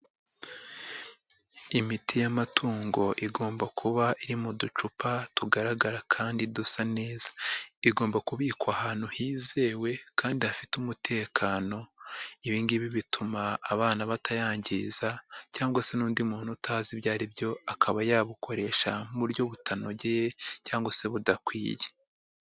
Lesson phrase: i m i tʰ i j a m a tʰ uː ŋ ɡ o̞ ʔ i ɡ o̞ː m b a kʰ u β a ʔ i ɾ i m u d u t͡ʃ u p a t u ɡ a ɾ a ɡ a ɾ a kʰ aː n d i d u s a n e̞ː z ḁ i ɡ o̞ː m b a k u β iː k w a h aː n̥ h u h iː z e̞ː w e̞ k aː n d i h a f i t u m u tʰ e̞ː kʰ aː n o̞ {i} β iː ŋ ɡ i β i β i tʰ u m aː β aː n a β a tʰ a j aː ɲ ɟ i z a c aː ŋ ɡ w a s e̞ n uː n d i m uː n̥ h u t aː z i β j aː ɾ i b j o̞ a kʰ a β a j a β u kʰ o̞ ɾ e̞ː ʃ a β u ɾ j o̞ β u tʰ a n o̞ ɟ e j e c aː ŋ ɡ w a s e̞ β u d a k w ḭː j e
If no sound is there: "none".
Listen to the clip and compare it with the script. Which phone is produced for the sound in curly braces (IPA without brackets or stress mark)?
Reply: i